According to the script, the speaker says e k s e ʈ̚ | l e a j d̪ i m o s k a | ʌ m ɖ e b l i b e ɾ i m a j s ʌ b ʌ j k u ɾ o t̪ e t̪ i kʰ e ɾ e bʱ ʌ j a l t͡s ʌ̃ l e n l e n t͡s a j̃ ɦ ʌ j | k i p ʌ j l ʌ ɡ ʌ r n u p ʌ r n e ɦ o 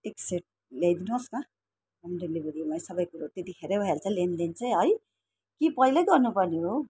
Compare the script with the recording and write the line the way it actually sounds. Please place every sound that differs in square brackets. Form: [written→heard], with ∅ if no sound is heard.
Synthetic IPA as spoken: e k s e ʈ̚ | l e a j d̪ i [m→n] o s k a | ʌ m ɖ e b l i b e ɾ i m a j s ʌ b ʌ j k u ɾ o t̪ e t̪ i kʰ e ɾ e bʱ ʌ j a l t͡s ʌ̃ l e n l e n t͡s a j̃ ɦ ʌ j | k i p ʌ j l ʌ ɡ ʌ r n u p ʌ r n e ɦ o